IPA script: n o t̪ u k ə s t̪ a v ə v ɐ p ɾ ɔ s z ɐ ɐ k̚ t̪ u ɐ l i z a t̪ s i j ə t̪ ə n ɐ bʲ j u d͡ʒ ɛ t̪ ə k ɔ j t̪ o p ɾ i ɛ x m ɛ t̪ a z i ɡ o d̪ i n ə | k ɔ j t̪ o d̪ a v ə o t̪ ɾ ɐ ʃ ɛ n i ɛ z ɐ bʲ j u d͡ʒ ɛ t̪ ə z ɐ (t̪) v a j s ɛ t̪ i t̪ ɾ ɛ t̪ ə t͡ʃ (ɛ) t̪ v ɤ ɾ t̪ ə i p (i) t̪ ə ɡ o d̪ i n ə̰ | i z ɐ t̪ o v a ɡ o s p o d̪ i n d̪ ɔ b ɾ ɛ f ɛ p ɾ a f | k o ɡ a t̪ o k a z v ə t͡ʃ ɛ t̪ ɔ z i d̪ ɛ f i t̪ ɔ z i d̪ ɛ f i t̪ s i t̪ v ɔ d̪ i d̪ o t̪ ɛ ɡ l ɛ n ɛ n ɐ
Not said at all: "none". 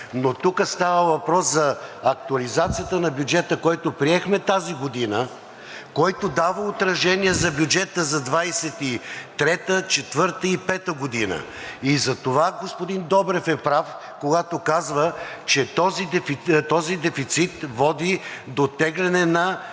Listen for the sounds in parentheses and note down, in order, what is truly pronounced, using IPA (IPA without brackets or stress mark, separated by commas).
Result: d̪, ɛ, ɛ